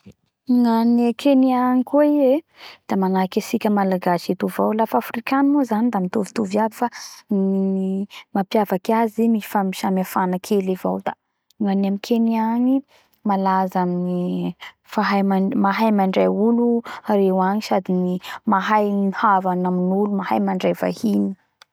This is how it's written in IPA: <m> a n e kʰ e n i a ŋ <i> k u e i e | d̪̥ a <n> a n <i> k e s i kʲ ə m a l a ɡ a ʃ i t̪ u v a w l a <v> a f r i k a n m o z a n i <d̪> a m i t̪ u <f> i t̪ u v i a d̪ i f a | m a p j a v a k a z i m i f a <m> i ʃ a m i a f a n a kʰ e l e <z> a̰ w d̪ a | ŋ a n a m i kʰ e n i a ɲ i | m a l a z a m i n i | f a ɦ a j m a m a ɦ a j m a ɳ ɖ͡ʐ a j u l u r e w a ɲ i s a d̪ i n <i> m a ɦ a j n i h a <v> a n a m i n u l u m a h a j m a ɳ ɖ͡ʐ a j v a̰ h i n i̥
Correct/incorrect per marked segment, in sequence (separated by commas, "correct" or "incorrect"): incorrect, correct, incorrect, incorrect, incorrect, correct, incorrect, correct, incorrect, correct, correct